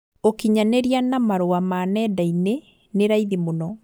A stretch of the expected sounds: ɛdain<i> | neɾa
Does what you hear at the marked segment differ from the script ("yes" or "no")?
yes